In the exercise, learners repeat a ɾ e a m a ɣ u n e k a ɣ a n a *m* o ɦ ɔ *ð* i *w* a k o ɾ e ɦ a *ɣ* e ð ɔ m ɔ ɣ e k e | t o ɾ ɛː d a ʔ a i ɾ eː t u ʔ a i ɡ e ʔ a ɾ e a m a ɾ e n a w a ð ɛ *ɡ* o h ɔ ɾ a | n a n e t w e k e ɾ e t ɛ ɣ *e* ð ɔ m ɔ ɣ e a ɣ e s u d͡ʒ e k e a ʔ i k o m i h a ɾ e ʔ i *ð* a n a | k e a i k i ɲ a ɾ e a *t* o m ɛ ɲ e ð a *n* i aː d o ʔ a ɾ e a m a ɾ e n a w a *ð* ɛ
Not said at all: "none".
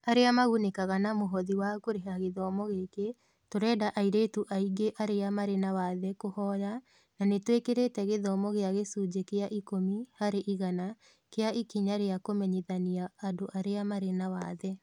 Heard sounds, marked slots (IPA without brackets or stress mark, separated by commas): m, ð, w, ɣ, k, e, ɣ, k, n, ð